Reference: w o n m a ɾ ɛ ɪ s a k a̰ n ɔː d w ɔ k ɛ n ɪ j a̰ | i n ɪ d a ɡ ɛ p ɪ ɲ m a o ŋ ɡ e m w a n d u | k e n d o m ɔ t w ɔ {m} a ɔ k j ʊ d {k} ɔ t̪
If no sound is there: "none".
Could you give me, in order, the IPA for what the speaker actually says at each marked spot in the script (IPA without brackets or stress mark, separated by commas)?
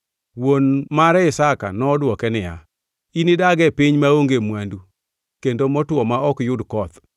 m, k